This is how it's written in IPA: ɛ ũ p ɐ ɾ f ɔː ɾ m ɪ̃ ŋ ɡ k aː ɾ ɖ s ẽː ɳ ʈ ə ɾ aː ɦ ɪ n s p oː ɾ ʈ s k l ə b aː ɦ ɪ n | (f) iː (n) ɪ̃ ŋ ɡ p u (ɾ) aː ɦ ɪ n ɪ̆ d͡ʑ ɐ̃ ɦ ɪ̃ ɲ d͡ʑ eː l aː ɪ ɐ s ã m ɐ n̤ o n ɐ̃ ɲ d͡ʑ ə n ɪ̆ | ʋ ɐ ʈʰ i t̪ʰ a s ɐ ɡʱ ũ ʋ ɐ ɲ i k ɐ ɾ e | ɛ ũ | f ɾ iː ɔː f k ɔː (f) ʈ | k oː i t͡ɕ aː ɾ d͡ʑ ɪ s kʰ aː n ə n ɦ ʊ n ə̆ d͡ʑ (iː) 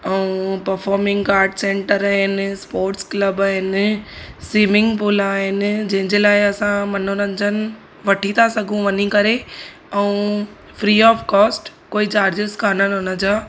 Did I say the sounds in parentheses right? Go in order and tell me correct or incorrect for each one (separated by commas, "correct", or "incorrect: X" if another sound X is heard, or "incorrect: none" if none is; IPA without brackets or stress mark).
incorrect: s, incorrect: m, incorrect: l, incorrect: s, incorrect: aː